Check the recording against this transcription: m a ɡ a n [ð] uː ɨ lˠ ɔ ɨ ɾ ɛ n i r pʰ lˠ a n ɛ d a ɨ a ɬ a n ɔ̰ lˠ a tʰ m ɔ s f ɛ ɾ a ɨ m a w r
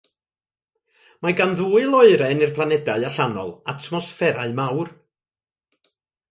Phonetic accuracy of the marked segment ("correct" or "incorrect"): correct